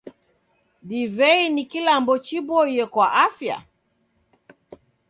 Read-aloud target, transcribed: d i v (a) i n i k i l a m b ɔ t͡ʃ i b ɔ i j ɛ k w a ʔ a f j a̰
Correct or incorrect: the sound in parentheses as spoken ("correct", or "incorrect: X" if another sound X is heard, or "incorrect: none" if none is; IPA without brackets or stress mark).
incorrect: ɛ